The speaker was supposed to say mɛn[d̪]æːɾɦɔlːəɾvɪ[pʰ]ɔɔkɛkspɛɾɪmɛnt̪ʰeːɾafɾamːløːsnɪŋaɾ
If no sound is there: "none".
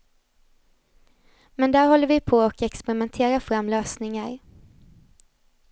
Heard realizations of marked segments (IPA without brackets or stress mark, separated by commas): d̪, pʰ